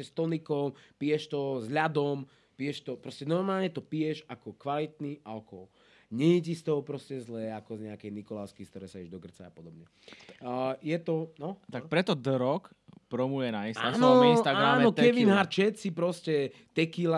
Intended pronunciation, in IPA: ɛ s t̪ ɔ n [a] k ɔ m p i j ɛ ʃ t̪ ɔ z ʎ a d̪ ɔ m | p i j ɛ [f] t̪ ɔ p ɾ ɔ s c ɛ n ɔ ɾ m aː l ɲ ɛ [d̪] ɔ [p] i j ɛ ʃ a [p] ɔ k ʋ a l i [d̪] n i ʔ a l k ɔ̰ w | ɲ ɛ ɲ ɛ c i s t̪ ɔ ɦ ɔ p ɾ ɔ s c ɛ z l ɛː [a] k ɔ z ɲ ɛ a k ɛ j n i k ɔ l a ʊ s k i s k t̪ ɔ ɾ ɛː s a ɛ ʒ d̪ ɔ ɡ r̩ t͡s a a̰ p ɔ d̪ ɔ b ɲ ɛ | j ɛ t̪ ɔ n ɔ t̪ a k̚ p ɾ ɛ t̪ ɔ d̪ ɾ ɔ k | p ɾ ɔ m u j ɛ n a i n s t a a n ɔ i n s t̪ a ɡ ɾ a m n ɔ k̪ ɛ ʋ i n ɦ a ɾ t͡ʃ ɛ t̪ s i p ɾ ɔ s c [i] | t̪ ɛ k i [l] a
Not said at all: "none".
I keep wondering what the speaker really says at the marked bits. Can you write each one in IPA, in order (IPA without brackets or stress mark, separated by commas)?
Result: i, ʃ, t̪, p, k, t̪, a, ɛ, l